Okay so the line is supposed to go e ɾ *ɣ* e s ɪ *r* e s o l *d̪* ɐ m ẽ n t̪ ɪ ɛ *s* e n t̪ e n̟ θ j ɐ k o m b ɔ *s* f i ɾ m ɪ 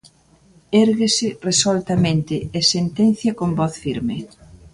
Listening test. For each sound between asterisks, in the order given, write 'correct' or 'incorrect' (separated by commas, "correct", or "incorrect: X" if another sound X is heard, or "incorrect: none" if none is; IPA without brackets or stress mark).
correct, correct, incorrect: t̪, correct, incorrect: θ